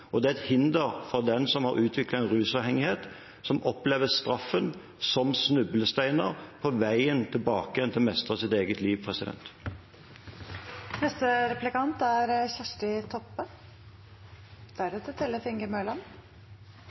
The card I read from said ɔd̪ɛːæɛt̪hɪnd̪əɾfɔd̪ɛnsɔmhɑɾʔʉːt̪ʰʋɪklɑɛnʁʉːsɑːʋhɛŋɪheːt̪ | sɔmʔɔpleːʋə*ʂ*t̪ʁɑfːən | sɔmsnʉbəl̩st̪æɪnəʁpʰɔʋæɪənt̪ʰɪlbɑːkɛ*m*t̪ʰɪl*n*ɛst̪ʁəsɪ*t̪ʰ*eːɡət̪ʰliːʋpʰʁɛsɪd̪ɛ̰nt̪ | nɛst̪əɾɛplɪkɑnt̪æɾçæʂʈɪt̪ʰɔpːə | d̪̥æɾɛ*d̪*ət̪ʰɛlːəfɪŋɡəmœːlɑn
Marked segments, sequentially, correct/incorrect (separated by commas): incorrect, incorrect, incorrect, incorrect, incorrect